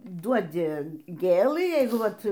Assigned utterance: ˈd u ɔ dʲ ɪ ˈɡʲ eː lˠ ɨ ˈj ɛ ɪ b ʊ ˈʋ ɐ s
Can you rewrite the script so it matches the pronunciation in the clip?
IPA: ˈd u ɔ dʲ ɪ ˈɡʲ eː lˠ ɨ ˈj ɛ ɪ ɡ ʊ ˈʋ ɐ t